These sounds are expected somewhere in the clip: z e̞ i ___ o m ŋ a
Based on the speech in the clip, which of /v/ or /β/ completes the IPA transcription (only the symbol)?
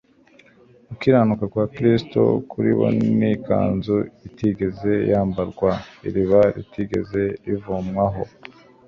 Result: v